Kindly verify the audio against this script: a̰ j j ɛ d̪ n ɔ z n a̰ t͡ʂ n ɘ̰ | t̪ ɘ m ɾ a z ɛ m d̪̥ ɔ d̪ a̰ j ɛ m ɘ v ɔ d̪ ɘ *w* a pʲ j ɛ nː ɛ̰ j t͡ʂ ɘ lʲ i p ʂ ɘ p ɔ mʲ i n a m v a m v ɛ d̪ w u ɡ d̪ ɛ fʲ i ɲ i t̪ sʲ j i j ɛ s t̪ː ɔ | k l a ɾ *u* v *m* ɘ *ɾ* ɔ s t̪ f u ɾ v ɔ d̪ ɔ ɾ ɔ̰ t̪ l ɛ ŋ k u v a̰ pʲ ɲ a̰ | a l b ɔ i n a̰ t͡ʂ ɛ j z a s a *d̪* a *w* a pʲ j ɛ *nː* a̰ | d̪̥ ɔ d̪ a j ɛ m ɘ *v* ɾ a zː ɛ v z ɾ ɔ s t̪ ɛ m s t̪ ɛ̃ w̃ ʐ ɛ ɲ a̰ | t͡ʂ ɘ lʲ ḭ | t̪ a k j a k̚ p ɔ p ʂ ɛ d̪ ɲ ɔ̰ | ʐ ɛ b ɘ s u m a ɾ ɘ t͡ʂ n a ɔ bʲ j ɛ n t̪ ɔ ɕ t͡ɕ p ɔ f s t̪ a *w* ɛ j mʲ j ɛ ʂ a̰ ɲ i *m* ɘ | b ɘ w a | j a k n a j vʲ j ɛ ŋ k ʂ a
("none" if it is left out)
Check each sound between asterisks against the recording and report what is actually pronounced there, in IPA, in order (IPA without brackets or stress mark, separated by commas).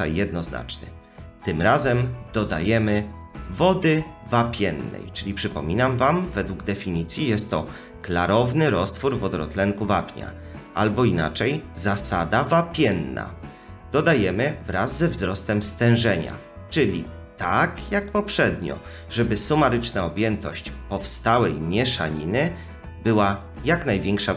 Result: v, ɔ, n, ɾ, d̪, v, nː, v, w, n